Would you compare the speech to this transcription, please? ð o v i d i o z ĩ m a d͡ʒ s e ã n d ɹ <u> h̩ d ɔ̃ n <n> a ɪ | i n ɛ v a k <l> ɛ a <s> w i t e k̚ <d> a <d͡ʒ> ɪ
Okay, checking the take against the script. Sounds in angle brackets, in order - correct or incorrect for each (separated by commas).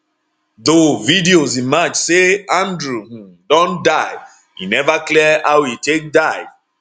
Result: correct, incorrect, correct, incorrect, correct, incorrect